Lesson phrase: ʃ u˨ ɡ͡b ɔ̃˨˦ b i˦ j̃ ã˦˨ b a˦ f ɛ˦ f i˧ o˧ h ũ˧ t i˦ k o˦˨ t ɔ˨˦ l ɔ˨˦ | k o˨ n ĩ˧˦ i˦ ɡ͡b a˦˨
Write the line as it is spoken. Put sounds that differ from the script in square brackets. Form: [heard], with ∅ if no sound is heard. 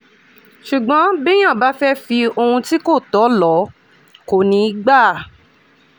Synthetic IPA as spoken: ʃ u˨ ɡ͡b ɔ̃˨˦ b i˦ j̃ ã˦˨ b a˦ f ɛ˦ f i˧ o˧ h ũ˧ t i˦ k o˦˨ t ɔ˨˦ l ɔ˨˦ | k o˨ n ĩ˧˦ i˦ ɡ͡b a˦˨